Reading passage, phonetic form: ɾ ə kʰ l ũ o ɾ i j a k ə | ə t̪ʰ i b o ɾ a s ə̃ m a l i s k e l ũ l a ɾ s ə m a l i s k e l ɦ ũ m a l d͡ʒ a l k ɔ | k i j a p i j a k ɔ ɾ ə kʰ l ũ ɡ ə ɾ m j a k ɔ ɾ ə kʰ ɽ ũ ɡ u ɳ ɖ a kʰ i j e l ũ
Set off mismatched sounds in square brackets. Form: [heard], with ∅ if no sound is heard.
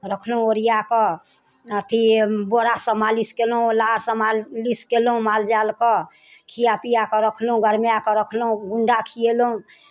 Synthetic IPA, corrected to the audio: ɾ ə kʰ l ũ o ɾ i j a k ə | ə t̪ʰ i b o ɾ a s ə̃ m a l i s k e l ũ l a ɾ s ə m a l i s k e l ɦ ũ m a l d͡ʒ a l k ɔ | [kʰ] i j a p i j a k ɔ ɾ ə kʰ l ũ ɡ ə ɾ m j a k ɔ ɾ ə kʰ [l] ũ ɡ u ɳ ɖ a kʰ i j e l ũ